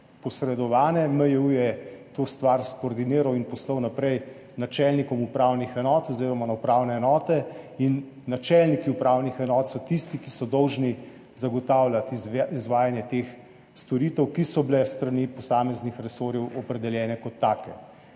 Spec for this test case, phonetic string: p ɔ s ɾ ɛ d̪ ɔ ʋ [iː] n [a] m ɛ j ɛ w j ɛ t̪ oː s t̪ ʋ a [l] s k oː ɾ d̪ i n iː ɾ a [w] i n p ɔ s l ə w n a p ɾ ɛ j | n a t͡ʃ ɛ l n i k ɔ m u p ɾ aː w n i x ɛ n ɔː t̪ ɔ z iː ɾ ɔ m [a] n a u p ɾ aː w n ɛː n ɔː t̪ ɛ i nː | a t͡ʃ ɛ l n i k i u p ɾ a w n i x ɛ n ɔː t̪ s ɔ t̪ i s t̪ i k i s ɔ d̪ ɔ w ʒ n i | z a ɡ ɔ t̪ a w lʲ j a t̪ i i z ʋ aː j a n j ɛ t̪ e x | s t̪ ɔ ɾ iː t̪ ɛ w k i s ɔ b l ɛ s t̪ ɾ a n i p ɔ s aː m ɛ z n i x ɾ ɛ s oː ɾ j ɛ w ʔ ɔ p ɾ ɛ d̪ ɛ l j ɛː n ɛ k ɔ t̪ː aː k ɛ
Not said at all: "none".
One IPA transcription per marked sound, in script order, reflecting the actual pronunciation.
aː, ɛ, ɾ, w, a

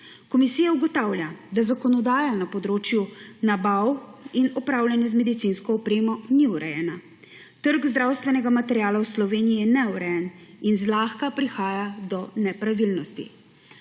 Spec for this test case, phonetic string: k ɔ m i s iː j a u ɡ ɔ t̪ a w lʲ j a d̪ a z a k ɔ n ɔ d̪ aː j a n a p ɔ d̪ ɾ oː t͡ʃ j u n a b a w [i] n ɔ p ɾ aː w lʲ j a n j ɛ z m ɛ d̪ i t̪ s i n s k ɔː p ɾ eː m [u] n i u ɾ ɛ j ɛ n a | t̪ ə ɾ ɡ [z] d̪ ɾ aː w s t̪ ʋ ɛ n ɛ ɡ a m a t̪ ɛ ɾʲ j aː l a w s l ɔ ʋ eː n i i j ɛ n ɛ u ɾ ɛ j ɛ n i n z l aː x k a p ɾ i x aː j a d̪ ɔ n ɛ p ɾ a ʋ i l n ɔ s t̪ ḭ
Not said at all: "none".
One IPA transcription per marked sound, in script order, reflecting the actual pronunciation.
i, ɔ, z

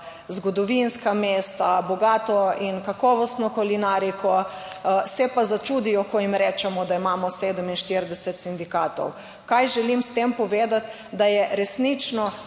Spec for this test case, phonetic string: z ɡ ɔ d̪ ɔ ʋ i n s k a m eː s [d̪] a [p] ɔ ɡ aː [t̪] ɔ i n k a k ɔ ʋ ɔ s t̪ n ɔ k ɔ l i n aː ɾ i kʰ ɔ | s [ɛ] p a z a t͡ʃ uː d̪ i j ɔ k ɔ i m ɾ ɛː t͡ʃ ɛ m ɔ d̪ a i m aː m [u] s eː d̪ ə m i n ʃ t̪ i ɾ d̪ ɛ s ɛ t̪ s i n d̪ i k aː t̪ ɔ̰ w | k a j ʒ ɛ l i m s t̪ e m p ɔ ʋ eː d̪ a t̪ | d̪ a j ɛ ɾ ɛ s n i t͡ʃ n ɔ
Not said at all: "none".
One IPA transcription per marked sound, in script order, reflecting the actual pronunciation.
t̪, b, t̪, ɛ, ɔ

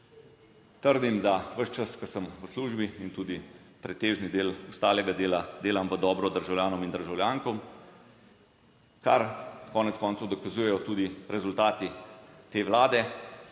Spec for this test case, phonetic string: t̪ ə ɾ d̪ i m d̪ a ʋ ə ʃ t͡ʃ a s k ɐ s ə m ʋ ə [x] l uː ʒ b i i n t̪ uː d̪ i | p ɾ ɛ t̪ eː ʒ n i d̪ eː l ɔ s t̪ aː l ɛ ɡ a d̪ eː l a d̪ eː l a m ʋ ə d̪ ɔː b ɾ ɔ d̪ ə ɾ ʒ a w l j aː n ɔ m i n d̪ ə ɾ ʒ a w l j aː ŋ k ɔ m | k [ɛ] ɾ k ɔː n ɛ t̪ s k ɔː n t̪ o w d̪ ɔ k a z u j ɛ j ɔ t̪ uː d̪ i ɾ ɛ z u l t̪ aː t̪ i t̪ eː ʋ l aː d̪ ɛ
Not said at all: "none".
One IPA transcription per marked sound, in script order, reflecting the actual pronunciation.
s, a

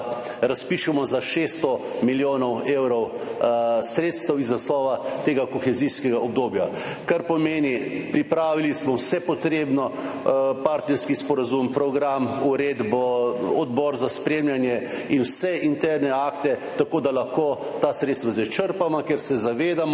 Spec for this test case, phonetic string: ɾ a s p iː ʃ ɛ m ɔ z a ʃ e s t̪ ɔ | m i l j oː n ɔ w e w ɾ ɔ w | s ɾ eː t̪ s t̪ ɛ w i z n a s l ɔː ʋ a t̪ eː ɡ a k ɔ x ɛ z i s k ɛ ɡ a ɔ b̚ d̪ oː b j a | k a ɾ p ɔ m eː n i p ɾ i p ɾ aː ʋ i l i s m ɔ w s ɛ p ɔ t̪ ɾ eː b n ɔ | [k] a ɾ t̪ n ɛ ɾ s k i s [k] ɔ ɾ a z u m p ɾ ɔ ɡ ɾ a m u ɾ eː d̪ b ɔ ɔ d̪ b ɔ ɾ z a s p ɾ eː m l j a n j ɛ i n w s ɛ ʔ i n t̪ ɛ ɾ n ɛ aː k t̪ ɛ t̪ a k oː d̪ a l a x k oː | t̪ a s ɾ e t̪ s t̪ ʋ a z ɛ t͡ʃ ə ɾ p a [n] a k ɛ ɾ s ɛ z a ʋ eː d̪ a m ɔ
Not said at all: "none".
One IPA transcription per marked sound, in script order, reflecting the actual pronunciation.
p, p, m

